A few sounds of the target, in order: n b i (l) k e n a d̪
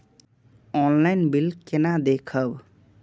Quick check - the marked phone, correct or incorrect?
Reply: correct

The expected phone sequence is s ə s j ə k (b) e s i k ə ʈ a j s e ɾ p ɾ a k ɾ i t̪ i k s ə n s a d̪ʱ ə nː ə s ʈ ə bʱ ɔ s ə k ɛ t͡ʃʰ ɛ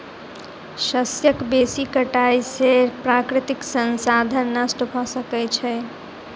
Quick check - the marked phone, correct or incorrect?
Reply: correct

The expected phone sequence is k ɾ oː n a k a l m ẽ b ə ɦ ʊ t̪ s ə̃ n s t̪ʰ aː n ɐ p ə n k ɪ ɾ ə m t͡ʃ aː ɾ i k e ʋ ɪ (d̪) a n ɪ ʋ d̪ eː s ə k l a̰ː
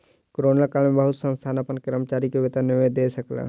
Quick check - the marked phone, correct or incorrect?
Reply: incorrect: t̪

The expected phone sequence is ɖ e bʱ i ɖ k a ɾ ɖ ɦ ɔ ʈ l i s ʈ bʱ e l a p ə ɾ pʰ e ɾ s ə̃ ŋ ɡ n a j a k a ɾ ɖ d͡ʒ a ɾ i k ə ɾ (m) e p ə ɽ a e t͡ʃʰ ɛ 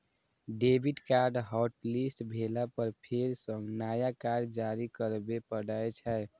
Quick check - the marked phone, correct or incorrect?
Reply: incorrect: b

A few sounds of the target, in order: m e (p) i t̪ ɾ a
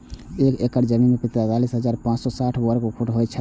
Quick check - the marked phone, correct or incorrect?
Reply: correct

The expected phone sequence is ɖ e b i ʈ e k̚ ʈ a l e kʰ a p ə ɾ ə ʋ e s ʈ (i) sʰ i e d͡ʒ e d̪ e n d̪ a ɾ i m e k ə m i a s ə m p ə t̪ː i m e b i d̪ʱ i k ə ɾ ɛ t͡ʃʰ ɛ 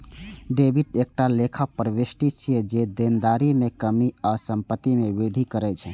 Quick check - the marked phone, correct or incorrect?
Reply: correct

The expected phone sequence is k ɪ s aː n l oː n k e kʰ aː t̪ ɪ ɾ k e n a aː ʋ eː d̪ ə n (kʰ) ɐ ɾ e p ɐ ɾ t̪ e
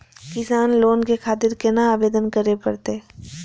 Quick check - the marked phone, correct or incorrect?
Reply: incorrect: k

